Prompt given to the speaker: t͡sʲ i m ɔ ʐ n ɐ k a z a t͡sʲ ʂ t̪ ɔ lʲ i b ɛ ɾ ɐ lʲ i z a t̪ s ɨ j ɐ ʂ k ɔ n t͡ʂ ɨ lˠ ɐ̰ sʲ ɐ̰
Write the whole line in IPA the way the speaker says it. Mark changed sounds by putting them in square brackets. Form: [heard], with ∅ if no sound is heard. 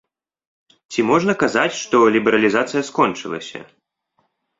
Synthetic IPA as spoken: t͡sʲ i m ɔ ʐ n ɐ k a z a t͡sʲ ʂ t̪ ɔ lʲ i b ɛ ɾ ɐ lʲ i z a t̪ s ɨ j ɐ [s] k ɔ n t͡ʂ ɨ lˠ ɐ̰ sʲ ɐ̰

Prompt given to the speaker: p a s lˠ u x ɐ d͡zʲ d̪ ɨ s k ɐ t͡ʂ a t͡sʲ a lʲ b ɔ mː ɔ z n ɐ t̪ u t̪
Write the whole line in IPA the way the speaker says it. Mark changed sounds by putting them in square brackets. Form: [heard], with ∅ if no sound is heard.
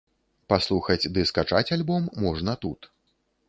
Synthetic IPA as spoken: p a s lˠ u x ɐ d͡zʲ d̪ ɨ s k [a] t͡ʂ a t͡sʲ a lʲ b ɔ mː ɔ [ʐ] n ɐ t̪ u t̪

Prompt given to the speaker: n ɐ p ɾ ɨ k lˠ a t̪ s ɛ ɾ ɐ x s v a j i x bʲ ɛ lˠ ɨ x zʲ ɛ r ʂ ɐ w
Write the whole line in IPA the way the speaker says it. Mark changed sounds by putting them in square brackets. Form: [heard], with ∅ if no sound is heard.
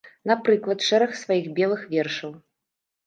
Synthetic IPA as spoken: n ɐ p ɾ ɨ k lˠ [ɐ] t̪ [ʂ] ɛ ɾ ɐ x s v a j i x bʲ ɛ lˠ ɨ x [vʲ] ɛ r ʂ ɐ w

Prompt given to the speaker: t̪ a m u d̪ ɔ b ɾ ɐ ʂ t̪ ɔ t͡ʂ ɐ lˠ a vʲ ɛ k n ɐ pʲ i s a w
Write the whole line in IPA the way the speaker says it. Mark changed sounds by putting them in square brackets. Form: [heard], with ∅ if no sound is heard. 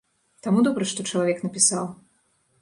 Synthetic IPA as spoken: t̪ a m u d̪ ɔ b ɾ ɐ ʂ t̪ ɔ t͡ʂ ɐ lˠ a vʲ ɛ k n ɐ pʲ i s a w

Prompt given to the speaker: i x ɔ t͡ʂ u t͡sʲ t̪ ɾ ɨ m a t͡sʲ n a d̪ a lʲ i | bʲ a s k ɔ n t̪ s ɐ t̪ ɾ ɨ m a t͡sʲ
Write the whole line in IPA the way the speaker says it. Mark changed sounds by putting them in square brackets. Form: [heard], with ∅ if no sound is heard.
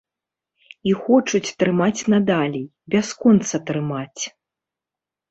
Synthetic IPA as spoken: i x ɔ t͡ʂ u t͡sʲ t̪ ɾ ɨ m a t͡sʲ n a d̪ a lʲ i | bʲ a s k ɔ n t̪ s ɐ t̪ ɾ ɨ m a t͡sʲ

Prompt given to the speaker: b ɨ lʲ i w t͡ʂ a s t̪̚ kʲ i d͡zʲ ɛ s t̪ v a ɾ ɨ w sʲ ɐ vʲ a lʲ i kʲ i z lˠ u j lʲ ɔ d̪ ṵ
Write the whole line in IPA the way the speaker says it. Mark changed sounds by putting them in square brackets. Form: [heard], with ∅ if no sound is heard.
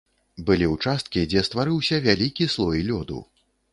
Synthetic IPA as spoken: b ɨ lʲ i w t͡ʂ a s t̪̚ kʲ i d͡zʲ ɛ s t̪ v a ɾ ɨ w sʲ ɐ vʲ a lʲ i kʲ i [s] lˠ [ɔ] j lʲ ɔ d̪ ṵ

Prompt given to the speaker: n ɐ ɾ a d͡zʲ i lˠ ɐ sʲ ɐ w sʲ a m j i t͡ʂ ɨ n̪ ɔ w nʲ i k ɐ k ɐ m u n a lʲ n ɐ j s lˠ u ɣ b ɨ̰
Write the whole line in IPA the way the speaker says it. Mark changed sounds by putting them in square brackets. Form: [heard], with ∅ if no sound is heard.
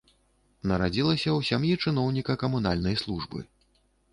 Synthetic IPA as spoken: n ɐ ɾ a d͡zʲ i lˠ ɐ sʲ ɐ w sʲ a m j i t͡ʂ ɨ n̪ ɔ w nʲ i k ɐ k ɐ m u n a lʲ n ɐ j s lˠ u [ʐ] b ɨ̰

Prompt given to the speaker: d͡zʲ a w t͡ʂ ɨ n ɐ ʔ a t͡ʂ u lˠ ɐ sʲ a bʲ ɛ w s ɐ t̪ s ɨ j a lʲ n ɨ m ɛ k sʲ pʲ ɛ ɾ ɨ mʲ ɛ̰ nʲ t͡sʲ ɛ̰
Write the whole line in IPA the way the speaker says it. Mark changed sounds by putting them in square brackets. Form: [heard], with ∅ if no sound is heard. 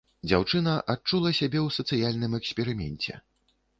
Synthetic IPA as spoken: d͡zʲ a w t͡ʂ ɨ n ɐ ʔ a t͡ʂ u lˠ ɐ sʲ a bʲ ɛ w s ɐ t̪ s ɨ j a lʲ n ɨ m ɛ k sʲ pʲ ɛ ɾ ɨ mʲ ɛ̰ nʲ t͡sʲ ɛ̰

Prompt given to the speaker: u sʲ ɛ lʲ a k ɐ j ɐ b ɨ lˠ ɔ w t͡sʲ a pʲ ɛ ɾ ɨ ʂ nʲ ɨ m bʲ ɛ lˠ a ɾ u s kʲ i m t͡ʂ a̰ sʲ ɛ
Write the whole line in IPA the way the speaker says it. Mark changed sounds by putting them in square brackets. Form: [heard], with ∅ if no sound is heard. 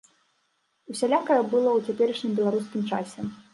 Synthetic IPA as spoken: u sʲ [a] lʲ a k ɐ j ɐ b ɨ lˠ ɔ w t͡sʲ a pʲ ɛ ɾ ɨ ʂ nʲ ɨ m bʲ ɛ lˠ a ɾ u s kʲ i m t͡ʂ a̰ sʲ ɛ

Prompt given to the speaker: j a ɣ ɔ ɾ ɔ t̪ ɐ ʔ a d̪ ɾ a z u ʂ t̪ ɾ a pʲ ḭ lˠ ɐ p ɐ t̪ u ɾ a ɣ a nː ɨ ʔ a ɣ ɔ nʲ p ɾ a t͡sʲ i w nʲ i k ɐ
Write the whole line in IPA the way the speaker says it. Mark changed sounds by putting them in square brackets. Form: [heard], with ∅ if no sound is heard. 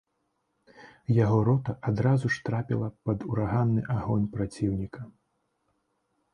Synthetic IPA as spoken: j a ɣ ɔ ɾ ɔ t̪ ɐ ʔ a d̪ ɾ a z u ʂ t̪ ɾ a pʲ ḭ lˠ ɐ p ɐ [d̪] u ɾ a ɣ a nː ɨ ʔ a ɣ ɔ nʲ p ɾ a t͡sʲ i w nʲ i k ɐ

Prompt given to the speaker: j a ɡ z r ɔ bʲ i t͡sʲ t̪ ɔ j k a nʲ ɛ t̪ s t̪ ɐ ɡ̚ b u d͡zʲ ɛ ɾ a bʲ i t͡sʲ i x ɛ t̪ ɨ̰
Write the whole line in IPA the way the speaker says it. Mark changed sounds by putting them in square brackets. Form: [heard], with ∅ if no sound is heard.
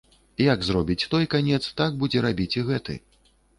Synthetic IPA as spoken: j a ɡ z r ɔ bʲ i t͡sʲ t̪ ɔ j k a nʲ ɛ t̪ s t̪ [a] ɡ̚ b u d͡zʲ ɛ ɾ a bʲ i t͡sʲ i [ɣ] ɛ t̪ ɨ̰

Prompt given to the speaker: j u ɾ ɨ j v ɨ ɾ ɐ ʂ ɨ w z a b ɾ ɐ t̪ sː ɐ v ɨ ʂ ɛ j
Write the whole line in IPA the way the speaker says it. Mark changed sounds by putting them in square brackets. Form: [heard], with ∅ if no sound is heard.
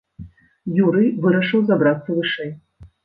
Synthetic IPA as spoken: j u ɾ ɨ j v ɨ ɾ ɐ ʂ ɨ w z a b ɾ [a] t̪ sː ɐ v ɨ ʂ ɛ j

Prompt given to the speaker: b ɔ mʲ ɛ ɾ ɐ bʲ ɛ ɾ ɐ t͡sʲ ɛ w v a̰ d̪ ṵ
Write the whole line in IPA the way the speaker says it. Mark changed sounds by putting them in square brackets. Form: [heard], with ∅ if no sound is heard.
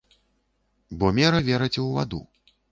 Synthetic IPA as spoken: b ɔ mʲ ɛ ɾ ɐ [vʲ] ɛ ɾ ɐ t͡sʲ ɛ w v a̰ d̪ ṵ

